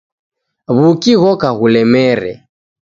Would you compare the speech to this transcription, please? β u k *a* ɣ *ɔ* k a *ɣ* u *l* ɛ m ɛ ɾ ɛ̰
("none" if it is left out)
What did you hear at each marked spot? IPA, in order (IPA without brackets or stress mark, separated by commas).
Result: i, ɔ, ɣ, l